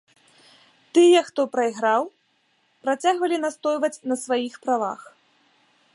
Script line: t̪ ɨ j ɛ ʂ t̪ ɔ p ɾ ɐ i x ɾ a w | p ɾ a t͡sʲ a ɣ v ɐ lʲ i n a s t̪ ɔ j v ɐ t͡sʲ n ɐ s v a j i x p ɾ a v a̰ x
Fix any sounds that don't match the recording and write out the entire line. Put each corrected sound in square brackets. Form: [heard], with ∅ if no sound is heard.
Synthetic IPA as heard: t̪ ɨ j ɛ [x] t̪ ɔ p ɾ ɐ i [ɣ] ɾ a w | p ɾ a t͡sʲ a ɣ v ɐ lʲ i n a s t̪ ɔ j v ɐ t͡sʲ n ɐ s v a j i x p ɾ a v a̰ x